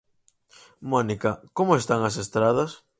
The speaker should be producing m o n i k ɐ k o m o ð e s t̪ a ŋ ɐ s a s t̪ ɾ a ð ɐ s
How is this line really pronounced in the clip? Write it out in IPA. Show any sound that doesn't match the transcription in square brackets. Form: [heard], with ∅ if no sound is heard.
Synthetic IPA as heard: m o n i k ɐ k o m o [∅] e s t̪ a ŋ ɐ s [e] s t̪ ɾ a ð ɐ s